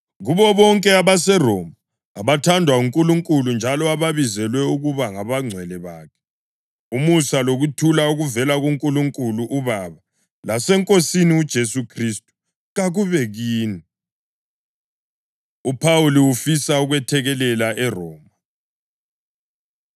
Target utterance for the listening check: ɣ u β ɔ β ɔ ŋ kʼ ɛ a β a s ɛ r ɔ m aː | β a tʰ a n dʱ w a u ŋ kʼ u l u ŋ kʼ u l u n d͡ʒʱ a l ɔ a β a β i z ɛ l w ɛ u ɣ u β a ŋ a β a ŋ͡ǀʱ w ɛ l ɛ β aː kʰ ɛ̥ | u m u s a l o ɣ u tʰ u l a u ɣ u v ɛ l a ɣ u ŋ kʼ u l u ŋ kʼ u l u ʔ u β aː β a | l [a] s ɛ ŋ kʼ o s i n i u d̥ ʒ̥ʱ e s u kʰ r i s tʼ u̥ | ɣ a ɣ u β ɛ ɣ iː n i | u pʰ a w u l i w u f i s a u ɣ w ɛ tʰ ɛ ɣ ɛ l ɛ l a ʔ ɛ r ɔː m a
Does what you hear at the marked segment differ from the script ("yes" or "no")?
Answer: no